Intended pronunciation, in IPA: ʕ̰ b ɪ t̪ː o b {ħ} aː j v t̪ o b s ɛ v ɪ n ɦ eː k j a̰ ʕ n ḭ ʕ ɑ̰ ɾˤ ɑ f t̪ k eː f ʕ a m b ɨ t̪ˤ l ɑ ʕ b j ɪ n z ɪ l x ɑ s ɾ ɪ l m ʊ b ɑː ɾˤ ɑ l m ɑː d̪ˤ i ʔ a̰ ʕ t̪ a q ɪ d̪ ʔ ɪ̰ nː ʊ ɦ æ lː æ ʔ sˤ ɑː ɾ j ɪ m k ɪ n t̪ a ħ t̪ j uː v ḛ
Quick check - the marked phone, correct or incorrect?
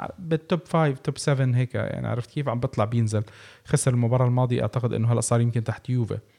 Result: incorrect